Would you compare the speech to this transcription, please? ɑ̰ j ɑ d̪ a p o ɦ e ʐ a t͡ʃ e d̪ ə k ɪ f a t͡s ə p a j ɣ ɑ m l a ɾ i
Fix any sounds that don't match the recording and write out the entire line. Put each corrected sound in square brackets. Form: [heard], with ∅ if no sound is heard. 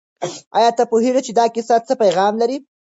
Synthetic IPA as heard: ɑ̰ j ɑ [t̪] a p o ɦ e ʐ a t͡ʃ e d̪ [ɑ] k ɪ [s] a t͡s ə p a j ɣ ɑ m l a ɾ i